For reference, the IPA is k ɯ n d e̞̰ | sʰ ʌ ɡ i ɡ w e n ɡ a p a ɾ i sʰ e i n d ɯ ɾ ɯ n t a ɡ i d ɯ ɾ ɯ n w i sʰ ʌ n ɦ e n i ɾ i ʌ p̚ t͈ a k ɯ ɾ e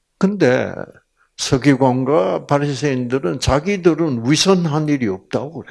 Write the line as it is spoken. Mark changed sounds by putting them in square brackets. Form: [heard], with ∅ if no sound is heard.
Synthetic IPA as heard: k ɯ n d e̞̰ | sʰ ʌ ɡ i ɡ w [a] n ɡ a p a ɾ i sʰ e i n d ɯ ɾ ɯ n [t͡ɕ] a ɡ i d ɯ ɾ ɯ n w i sʰ ʌ n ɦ [a] n i ɾ i ʌ p̚ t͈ a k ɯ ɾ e